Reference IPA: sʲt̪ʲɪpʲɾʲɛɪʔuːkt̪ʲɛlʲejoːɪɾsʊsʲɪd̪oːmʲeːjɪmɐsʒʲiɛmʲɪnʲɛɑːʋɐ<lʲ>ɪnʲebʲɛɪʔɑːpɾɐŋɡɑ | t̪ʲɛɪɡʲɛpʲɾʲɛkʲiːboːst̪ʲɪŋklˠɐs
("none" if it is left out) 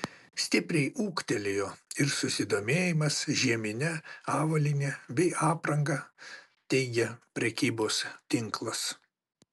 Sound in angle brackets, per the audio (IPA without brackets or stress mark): lʲ